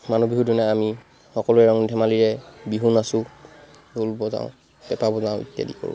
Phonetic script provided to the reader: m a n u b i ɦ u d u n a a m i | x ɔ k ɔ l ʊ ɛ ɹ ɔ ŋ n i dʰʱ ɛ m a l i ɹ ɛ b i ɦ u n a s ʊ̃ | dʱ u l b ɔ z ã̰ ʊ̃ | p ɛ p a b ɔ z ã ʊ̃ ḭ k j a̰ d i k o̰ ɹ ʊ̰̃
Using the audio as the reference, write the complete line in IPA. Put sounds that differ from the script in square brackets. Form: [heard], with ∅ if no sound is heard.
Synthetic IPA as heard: m a n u b i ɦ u d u n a a m i | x ɔ k ɔ l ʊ ɛ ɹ ɔ ŋ n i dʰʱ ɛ m a l i ɹ ɛ b i ɦ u n a s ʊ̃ | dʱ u l b ɔ z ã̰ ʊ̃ | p ɛ p a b ɔ z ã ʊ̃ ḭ [t] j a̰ d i k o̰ ɹ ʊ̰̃